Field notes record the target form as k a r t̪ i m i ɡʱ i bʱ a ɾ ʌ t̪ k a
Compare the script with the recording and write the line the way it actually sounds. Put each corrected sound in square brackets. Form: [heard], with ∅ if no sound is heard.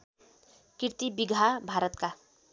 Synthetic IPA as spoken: k [i] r t̪ i [b] i ɡʱ [a] bʱ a ɾ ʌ t̪ k a

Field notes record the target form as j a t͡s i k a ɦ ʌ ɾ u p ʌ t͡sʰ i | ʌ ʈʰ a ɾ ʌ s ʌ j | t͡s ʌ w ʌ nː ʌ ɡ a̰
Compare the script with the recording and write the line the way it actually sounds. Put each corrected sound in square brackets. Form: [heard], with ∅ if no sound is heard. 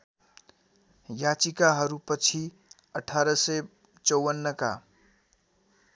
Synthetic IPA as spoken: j a t͡s i k a ɦ ʌ ɾ u p ʌ t͡sʰ i | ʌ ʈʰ a ɾ ʌ s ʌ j | t͡s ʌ w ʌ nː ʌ [k] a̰

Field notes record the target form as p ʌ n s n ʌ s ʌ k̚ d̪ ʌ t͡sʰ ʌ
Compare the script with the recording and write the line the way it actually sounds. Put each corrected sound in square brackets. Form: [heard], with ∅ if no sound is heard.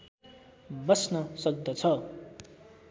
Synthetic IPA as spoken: [b] ʌ [∅] s n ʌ s ʌ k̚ d̪ ʌ t͡sʰ ʌ

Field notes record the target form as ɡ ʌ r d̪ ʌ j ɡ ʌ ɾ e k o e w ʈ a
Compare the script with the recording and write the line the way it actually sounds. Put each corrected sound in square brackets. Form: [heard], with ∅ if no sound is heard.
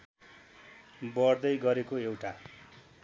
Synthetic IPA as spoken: [b] ʌ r d̪ ʌ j ɡ ʌ ɾ e k o e w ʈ a

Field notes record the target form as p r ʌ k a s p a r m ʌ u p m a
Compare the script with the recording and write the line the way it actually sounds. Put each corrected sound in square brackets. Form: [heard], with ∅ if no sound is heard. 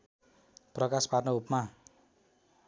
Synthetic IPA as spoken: p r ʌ k a s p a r [n] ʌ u p m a

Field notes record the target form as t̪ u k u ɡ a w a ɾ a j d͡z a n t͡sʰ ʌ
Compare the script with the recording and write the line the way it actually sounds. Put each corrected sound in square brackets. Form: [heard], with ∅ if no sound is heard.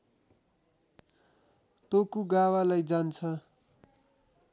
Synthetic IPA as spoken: t̪ [o] k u ɡ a w a [l] a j d͡z a n t͡sʰ ʌ

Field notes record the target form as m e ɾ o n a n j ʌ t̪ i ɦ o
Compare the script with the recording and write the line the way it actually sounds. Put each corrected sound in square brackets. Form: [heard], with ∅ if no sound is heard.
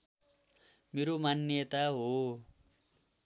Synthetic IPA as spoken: m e ɾ o [m] a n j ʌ t̪ [a] ɦ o

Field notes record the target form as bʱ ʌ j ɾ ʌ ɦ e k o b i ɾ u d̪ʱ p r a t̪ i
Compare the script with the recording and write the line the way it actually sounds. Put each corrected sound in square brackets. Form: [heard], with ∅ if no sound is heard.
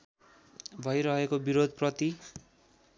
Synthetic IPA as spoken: bʱ ʌ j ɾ ʌ ɦ e k o b i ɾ [o] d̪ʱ p r [ʌ] t̪ i

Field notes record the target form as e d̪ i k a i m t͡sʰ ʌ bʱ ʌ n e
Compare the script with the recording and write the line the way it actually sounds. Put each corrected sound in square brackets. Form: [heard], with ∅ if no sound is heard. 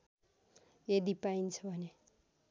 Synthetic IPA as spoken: e d̪ i [p] a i [n] t͡sʰ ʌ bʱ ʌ n e

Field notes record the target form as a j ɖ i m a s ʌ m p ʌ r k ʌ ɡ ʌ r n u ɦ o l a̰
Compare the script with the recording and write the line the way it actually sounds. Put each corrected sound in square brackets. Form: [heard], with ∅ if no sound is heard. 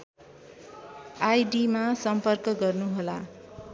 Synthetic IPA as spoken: a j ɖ i m a s ʌ m p ʌ r k ʌ ɡ ʌ r n u ɦ o l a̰

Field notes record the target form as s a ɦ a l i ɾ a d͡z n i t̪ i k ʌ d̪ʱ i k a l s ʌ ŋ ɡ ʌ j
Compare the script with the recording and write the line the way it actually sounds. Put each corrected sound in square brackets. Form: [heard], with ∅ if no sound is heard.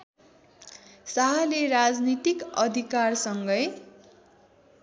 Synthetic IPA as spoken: s a ɦ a l [e] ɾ a d͡z n i t̪ i k ʌ d̪ʱ i k a [r] s ʌ ŋ ɡ ʌ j

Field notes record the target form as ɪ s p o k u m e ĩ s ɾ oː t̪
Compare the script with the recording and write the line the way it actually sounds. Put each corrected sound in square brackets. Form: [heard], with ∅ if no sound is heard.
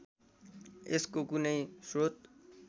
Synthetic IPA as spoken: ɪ s [k] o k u [n] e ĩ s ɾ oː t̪

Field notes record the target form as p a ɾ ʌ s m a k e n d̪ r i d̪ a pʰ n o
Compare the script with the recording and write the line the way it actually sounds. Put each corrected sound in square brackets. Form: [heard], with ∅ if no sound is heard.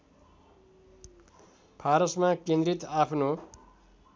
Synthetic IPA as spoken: [pʰ] a ɾ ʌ s m a k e n d̪ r i [t̪] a pʰ n o

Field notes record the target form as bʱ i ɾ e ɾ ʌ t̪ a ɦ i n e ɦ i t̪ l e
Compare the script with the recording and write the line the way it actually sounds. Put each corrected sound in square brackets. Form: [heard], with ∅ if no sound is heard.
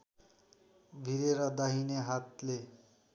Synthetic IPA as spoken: bʱ i ɾ e ɾ ʌ [d̪] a ɦ i n e ɦ [a] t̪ l e

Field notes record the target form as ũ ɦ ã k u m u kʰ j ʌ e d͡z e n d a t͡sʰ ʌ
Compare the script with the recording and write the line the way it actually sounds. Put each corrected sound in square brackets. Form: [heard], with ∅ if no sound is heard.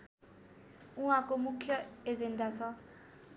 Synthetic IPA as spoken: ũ ɦ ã k [o] m u kʰ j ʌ e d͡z e n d a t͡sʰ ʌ

